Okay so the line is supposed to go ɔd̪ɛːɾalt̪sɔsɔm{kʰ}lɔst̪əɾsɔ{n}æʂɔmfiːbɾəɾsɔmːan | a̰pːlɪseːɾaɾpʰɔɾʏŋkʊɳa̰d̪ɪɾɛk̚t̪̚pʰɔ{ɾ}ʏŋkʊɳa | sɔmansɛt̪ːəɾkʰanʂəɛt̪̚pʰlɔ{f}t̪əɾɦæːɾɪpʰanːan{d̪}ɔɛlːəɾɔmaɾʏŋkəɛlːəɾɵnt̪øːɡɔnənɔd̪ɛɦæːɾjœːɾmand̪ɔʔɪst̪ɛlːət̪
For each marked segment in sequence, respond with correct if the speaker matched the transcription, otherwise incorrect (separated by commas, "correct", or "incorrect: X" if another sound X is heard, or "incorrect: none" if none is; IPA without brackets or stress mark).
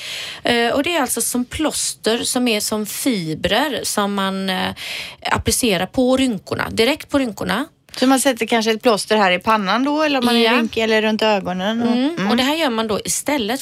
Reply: incorrect: pʰ, incorrect: m, correct, incorrect: s, correct